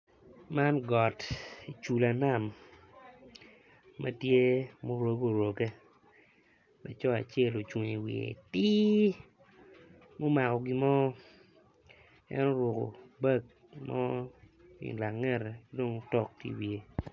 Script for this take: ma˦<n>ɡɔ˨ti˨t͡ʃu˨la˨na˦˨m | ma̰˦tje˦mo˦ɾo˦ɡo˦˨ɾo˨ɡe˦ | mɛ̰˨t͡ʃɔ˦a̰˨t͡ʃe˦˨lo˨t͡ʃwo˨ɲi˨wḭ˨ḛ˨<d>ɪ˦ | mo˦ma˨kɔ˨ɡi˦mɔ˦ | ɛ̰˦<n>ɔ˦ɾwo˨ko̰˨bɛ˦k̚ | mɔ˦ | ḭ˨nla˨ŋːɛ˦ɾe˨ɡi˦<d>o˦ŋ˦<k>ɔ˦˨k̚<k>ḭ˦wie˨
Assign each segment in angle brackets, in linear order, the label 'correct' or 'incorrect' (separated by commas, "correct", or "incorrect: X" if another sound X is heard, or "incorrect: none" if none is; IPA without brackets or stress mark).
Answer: correct, incorrect: t, correct, correct, incorrect: t, incorrect: t